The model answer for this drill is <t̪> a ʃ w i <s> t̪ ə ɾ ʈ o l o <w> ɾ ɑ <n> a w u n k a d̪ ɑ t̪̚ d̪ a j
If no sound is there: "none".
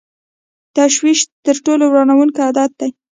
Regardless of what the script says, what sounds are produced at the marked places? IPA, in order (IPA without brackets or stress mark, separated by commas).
t̪, ʃ, w, n